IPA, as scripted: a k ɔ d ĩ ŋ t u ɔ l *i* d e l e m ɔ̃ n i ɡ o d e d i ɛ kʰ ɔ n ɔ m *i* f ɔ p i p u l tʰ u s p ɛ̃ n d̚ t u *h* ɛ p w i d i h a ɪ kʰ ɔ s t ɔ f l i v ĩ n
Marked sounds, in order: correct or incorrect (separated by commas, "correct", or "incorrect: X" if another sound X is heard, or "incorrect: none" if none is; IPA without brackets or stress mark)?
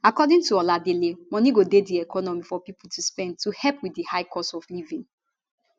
incorrect: a, correct, correct